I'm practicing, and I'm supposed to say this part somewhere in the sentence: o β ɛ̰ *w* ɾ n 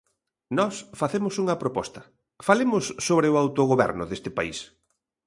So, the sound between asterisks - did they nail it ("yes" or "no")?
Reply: no